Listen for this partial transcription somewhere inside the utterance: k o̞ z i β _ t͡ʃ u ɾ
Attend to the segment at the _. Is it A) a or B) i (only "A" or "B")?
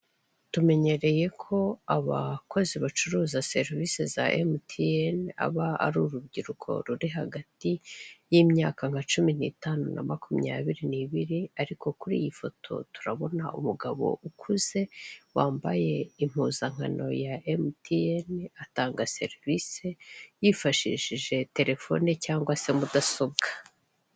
A